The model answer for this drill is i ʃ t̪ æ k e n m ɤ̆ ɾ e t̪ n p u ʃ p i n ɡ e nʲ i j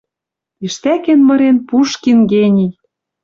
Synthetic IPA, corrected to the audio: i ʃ t̪ æ k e n m ɤ̆ ɾ e n p u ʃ k i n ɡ e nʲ i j